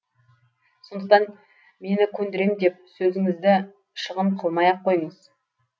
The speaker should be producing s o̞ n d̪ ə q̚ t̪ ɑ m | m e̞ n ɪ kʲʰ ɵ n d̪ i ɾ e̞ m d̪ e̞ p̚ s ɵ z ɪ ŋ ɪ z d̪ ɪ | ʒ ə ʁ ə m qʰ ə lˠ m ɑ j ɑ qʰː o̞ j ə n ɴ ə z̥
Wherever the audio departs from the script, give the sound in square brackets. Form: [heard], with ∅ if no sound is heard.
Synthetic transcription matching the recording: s o̞ n d̪ ə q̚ t̪ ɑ [n] | m e̞ n ɪ kʲʰ ɵ n d̪ [ɪ] ɾ e̞ m d̪ e̞ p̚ s ɵ z ɪ ŋ ɪ z d̪ ɪ | [ʃ] ə ʁ ə m qʰ ə lˠ m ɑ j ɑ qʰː o̞ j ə [∅] ɴ ə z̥